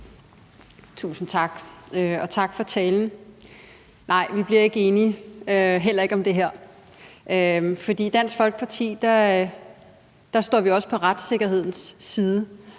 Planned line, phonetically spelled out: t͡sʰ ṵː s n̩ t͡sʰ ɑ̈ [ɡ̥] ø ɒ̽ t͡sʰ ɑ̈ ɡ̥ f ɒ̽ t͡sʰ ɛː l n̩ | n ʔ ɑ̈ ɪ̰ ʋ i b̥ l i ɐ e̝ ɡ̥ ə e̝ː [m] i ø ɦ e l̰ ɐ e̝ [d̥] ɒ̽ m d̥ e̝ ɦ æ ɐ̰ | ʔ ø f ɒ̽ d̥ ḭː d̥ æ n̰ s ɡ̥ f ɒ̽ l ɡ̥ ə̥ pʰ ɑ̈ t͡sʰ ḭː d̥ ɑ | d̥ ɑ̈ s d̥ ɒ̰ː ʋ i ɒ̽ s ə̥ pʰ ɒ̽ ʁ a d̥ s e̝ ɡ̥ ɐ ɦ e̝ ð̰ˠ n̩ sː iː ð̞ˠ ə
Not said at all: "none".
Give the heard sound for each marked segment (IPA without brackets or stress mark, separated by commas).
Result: ɡ̥, n, ɡ̥